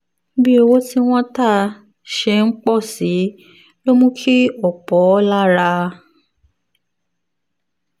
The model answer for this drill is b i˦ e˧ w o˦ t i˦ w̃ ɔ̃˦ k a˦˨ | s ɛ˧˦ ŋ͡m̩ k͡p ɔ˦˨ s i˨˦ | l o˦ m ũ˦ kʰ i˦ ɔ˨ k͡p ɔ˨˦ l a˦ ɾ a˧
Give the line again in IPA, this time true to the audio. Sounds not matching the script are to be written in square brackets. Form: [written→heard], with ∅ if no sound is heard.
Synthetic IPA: b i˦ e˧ w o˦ t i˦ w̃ ɔ̃˦ [k→t] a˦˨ | [s→ʃ] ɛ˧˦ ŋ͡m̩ k͡p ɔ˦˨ s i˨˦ | l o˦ m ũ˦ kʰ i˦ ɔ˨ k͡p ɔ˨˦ l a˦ ɾ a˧